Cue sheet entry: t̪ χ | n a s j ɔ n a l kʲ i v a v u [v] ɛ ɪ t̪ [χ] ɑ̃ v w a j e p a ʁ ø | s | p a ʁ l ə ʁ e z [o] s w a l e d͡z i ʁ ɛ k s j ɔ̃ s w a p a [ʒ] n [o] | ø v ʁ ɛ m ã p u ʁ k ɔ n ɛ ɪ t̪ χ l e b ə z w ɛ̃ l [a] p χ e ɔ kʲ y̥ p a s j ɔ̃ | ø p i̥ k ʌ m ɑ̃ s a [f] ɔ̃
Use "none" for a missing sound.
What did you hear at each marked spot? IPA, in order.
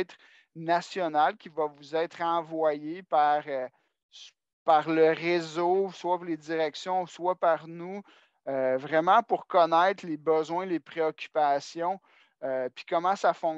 z, χ, o, ʁ, u, e, f

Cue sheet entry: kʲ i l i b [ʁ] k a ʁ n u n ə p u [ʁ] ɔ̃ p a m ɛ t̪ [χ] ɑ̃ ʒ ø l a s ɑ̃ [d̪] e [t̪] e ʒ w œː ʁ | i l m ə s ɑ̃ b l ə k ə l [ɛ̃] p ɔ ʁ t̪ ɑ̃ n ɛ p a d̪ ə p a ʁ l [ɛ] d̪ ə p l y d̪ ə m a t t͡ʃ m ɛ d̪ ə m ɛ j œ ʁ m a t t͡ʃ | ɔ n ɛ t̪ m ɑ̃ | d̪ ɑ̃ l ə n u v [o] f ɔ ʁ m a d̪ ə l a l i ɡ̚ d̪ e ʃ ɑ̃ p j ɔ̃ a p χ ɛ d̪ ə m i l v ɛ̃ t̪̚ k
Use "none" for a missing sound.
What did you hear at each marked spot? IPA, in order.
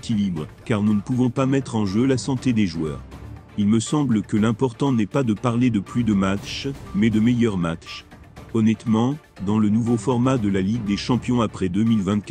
ʁ, v, χ, t̪, d̪, ɛ̃, e, o

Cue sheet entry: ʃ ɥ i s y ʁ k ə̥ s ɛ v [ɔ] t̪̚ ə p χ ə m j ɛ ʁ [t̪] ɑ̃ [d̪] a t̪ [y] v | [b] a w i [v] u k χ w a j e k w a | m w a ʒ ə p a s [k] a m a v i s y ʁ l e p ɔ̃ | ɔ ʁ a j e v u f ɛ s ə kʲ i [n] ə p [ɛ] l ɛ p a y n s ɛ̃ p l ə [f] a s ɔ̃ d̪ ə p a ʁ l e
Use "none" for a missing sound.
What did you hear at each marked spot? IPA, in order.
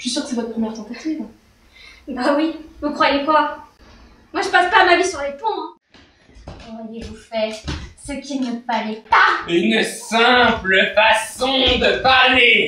ɔ, t̪, t̪, i, b, v, p, n, a, f

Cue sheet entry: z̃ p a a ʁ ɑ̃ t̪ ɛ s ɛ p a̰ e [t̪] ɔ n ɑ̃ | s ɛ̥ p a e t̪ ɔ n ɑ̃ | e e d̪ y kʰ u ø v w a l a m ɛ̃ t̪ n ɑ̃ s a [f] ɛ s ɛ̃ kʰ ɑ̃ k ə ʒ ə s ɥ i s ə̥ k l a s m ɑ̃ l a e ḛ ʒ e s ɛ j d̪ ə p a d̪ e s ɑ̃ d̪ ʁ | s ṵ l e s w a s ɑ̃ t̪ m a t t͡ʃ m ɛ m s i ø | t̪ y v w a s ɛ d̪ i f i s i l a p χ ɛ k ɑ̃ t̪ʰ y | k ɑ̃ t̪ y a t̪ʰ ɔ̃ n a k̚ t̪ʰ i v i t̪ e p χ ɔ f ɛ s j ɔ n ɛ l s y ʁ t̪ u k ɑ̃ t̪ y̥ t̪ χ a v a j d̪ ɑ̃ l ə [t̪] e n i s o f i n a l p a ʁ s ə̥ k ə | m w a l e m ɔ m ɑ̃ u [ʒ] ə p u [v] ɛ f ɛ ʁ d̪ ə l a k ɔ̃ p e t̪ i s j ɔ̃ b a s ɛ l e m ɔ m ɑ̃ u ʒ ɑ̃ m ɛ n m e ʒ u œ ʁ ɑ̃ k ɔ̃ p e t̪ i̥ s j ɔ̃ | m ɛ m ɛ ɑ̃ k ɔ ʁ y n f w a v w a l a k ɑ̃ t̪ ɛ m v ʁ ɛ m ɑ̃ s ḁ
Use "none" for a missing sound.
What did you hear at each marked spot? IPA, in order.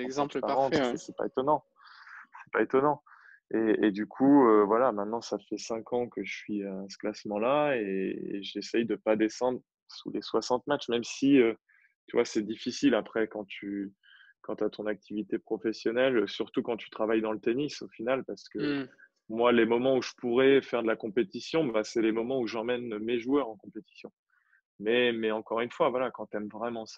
t̪, f, t̪, ʒ, ʁ

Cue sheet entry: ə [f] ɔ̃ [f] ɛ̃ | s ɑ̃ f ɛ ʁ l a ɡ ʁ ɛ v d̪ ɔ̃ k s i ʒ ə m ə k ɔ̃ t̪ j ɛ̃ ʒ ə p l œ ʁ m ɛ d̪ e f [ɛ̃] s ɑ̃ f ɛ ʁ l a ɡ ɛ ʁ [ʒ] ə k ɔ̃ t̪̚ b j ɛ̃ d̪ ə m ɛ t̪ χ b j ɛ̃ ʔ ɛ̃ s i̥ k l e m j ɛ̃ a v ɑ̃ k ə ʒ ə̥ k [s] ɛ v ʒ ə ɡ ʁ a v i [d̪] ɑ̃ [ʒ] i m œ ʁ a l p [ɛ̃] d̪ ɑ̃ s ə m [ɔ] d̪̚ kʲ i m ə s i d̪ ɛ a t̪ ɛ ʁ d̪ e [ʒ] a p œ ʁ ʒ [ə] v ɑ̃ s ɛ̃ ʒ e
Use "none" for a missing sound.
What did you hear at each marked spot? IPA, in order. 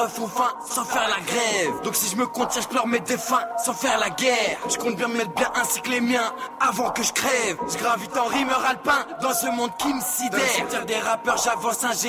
f, f, ɛ̃, ʒ, χ, t̪, ʁ, ɛ̃, ɔ̃, ʁ, a

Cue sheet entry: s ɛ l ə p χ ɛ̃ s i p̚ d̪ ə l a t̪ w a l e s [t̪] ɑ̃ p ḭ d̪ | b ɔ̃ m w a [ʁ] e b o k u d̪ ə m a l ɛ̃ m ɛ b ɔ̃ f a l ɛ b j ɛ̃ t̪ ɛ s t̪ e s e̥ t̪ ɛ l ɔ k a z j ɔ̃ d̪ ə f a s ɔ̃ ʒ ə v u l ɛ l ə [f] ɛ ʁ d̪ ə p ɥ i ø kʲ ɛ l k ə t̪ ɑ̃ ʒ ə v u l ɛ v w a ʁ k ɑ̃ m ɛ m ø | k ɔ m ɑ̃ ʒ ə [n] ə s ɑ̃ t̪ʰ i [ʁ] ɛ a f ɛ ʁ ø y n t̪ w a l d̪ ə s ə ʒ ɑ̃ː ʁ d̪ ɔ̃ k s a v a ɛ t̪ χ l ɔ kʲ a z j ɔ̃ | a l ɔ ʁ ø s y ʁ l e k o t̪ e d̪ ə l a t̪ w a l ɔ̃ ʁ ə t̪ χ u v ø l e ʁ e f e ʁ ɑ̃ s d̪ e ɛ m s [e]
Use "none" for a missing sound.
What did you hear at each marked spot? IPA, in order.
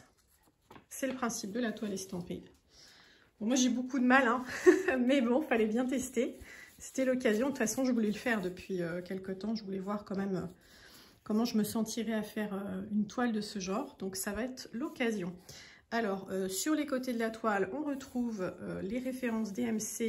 t̪, ʒ, f, m, ʁ, e

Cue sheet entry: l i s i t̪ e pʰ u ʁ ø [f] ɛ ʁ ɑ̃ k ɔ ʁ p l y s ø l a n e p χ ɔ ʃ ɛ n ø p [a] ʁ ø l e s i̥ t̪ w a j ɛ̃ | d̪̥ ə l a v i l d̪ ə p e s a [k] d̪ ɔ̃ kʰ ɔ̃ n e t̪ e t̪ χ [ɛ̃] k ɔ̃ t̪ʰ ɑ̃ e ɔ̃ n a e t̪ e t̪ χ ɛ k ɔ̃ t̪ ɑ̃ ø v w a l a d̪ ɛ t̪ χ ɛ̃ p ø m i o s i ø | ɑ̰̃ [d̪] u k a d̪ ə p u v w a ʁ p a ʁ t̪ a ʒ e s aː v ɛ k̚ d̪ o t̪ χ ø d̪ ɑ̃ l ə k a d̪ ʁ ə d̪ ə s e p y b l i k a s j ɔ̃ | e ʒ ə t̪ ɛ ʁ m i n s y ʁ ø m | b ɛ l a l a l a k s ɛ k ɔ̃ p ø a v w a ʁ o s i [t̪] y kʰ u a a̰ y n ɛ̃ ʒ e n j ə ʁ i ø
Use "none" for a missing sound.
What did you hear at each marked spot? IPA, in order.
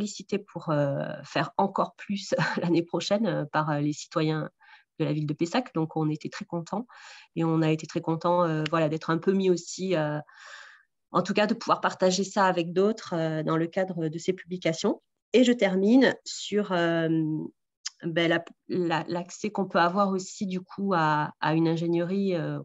f, a, k, ɛ, t̪, d̪

